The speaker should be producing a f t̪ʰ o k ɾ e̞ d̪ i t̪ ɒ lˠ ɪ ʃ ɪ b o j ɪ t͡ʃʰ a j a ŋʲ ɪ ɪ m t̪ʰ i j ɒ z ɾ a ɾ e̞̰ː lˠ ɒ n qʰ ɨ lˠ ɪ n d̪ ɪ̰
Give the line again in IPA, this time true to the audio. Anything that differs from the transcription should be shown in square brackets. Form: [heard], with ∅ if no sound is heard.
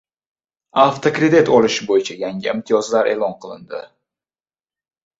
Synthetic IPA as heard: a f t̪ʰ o k ɾ e̞ d̪ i t̪ ɒ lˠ ɪ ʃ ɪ b o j ɪ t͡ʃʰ a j a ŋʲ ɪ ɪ m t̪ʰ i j ɒ z [l] a ɾ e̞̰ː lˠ ɒ n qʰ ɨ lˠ ɪ n d̪ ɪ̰

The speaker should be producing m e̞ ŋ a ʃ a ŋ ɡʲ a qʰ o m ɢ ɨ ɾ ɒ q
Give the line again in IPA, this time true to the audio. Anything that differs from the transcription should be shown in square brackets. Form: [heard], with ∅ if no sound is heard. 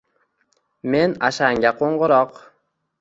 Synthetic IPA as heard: m e̞ [n] a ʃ a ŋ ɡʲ a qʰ o [ɴ] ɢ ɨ ɾ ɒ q

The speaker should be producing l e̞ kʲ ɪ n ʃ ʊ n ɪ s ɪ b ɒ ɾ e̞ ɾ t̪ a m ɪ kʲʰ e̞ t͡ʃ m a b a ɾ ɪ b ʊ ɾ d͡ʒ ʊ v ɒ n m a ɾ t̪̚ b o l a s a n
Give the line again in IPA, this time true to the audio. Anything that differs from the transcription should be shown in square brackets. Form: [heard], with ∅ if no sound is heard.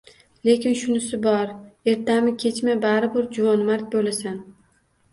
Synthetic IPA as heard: l e̞ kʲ ɪ n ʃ ʊ n ɪ s ɪ b ɒ ɾ e̞ ɾ t̪ a m ɪ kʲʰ e̞ t͡ʃ m a b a ɾ ɪ b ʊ ɾ d͡ʒ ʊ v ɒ n m a ɾ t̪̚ b o l a s a n

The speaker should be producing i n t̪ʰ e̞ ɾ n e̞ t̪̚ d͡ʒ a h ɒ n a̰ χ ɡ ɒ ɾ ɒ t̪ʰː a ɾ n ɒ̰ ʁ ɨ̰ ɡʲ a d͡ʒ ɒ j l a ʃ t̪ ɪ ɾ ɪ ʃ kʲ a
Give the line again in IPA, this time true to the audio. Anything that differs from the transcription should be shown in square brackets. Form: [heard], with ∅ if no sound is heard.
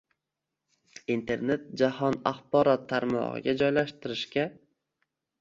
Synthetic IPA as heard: i n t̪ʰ e̞ ɾ n e̞ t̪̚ d͡ʒ a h ɒ n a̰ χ [b] ɒ ɾ ɒ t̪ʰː a ɾ [m] ɒ̰ ʁ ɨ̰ ɡʲ a d͡ʒ ɒ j l a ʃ t̪ ɪ ɾ ɪ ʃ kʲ a

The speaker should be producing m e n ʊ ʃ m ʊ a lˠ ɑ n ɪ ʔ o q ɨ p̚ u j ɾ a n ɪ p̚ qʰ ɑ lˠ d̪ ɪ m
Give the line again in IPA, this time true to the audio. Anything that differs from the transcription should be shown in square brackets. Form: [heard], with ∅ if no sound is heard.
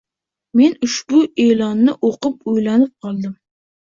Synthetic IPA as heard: m e n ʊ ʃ [b] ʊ [e] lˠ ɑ [nː] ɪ ʔ o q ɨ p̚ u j [l] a n ɪ p̚ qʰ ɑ lˠ d̪ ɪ m

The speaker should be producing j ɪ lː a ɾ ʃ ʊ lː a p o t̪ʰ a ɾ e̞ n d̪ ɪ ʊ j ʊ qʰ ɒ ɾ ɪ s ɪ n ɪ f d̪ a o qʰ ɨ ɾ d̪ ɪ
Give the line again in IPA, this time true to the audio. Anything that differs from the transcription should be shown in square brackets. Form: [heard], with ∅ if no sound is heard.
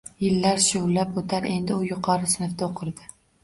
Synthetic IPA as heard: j ɪ lː a ɾ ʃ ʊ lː a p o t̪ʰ a ɾ e̞ n d̪ ɪ ʊ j ʊ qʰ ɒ ɾ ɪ s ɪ n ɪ f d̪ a o qʰ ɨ ɾ d̪ ɪ

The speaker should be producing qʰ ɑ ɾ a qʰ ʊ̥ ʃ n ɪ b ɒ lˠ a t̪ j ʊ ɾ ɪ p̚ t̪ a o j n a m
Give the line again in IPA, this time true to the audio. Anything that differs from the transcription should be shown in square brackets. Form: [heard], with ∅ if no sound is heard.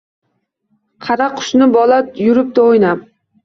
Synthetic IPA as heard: qʰ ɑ ɾ a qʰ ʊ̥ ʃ n ɪ b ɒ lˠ a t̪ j ʊ ɾ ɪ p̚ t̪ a o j n a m

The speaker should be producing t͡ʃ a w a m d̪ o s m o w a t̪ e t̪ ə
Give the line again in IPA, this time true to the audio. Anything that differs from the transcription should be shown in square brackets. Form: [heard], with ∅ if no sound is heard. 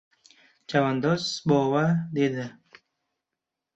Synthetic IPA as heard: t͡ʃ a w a [n] d̪ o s [b] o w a [d̪] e [d̪] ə

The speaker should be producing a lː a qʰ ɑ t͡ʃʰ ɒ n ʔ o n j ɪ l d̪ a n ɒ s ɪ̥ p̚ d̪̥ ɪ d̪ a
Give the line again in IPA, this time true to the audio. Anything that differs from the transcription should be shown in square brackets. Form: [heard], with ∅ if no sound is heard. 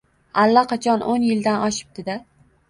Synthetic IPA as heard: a lː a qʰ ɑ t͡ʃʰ ɒ n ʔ o n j ɪ l d̪ a n ɒ [ʃ] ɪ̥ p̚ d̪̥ ɪ d̪ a

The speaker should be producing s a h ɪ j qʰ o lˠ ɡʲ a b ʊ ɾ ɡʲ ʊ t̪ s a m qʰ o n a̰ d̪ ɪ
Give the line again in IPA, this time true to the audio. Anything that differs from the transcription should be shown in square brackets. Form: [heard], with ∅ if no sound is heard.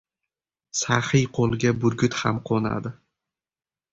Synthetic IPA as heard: s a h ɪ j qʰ o lˠ ɡʲ a b ʊ ɾ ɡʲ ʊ t̪ [h] a m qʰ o n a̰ d̪ ɪ

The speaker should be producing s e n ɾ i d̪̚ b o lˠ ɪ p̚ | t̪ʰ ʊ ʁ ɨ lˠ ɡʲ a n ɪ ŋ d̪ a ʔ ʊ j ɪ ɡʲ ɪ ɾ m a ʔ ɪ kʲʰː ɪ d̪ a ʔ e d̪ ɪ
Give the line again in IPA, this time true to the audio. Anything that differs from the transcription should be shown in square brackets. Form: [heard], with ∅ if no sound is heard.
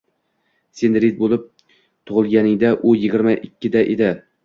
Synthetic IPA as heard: s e n ɾ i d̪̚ b o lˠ ɪ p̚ | t̪ʰ ʊ ʁ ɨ lˠ ɡʲ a n ɪ ŋ d̪ a ʔ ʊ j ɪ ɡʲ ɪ ɾ m a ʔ ɪ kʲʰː ɪ d̪ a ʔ e d̪ ɪ

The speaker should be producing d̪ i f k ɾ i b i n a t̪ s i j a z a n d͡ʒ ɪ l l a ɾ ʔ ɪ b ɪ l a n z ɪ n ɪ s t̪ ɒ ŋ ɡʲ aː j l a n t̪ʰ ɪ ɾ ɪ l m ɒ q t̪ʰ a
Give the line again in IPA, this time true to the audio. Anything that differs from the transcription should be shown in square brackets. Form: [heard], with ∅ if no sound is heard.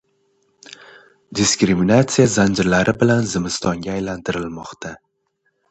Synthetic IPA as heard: d̪ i [s] k ɾ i [m] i n a t̪ s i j a z a n d͡ʒ ɪ [ɾ] l a ɾ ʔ ɪ b ɪ l a n z ɪ [m] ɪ s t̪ ɒ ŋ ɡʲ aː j l a n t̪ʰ ɪ ɾ ɪ l m ɒ q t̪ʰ a

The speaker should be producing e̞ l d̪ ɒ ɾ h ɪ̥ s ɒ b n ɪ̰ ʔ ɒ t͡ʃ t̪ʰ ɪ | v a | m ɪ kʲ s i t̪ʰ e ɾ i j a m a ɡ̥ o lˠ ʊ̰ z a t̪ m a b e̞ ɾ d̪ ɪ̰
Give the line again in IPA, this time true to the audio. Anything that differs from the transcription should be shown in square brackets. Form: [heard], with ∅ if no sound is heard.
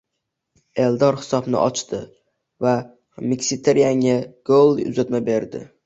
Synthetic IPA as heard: e̞ l d̪ ɒ ɾ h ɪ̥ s ɒ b n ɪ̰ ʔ ɒ t͡ʃ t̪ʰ ɪ | v a | m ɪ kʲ s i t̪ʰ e ɾ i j a [ŋ] a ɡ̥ o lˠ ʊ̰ z a t̪ m a b e̞ ɾ d̪ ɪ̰

